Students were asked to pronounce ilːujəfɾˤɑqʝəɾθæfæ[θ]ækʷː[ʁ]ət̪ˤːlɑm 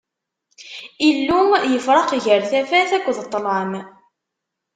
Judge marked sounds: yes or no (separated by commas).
yes, no